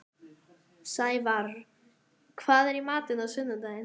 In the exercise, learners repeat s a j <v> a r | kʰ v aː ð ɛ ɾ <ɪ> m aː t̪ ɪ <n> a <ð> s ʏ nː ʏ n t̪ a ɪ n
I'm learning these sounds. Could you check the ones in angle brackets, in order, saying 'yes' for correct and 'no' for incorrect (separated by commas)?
yes, no, yes, yes